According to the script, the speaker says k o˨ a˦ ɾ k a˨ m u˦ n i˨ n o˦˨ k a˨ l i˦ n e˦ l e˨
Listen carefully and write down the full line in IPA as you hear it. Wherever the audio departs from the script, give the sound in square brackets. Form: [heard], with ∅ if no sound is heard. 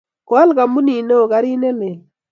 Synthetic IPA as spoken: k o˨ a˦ [l] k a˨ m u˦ n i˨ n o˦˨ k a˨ [ɾ] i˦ n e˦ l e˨